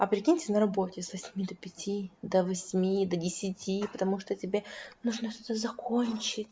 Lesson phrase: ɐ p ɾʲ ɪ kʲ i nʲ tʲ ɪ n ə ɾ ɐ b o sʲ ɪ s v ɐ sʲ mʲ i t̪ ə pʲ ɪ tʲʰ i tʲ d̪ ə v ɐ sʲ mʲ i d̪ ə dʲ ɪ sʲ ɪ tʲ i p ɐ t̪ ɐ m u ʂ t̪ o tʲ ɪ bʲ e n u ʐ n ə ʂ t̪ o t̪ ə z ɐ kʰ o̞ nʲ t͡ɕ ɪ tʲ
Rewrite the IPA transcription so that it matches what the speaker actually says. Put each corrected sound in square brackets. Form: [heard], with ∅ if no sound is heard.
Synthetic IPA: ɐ p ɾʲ ɪ kʲ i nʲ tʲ ɪ n ə ɾ ɐ b o [tʲ] ɪ s v ɐ sʲ mʲ i [d̪] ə pʲ ɪ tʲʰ i [∅] d̪ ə v ɐ sʲ mʲ i d̪ ə dʲ ɪ sʲ ɪ tʲ i p [ə] t̪ ɐ m u ʂ t̪ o tʲ ɪ bʲ e n u ʐ n ə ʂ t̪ o t̪ ə z ɐ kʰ o̞ nʲ t͡ɕ ɪ tʲ